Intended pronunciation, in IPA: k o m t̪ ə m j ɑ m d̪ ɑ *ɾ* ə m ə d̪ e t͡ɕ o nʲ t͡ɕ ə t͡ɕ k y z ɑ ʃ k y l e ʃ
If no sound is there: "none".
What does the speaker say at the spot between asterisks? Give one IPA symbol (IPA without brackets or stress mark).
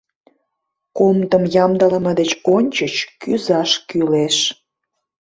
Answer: l